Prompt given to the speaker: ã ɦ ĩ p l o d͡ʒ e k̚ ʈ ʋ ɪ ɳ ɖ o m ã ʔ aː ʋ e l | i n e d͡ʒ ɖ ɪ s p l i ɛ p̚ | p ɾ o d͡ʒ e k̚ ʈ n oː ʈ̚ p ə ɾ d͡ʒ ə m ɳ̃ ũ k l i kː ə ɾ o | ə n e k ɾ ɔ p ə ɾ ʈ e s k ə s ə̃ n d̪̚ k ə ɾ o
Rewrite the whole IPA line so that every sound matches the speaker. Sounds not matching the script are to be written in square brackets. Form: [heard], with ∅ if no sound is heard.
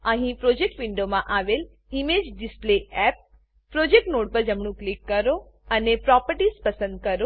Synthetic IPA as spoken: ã ɦ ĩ p [ɾ] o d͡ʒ e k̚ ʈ ʋ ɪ ɳ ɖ o m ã ʔ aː ʋ e l | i [m] e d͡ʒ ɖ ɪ s p l [e] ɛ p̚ | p ɾ o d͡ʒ e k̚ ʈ n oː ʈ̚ p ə ɾ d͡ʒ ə m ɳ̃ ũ k l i kː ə ɾ o | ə n e [p] ɾ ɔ p ə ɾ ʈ [i] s [p] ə s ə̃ n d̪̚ k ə ɾ o